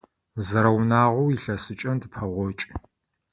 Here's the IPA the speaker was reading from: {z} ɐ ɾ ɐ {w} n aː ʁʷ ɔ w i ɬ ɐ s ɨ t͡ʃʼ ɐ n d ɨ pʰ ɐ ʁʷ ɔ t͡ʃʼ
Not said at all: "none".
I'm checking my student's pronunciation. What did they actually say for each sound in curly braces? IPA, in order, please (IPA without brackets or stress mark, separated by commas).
z, w